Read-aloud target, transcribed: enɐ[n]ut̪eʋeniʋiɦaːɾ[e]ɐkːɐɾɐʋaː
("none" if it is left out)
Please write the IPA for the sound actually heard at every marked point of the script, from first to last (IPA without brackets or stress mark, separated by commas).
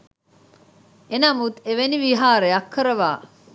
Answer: m, e